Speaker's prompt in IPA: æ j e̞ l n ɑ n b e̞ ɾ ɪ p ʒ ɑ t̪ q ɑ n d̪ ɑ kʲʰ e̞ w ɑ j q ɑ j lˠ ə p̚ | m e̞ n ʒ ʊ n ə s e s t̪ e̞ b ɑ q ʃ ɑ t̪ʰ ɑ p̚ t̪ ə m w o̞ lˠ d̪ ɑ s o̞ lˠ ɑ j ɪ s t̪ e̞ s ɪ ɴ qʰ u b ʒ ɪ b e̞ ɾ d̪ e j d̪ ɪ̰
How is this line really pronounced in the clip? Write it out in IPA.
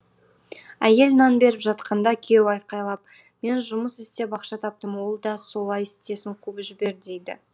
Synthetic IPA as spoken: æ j e̞ l n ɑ n b e̞ ɾ ɪ p ʒ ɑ t̪ q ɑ n d̪ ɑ kʲʰ e̞ w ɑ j q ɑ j lˠ ɑ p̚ | m e̞ n ʒ ʊ m ə s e s t̪ e̞ b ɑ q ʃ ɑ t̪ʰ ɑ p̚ t̪ ə m w o̞ lˠ d̪ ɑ s o̞ lˠ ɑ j ɪ s t̪ e̞ s ɪ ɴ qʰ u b ʒ ɪ b e̞ ɾ d̪ e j d̪ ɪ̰